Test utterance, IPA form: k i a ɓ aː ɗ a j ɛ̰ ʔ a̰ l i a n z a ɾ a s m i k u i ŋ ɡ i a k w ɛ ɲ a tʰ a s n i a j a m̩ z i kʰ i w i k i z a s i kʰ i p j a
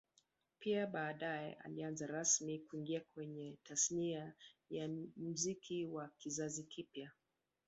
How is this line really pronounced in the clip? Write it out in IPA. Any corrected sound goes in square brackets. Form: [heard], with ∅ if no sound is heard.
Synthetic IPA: [p] i a ɓ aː ɗ a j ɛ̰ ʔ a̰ l i a n z a ɾ a s m i k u i ŋ ɡ i a k w ɛ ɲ [ɛ] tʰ a s n i a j a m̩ z i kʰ i w [a] k i z a [z] i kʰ i p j a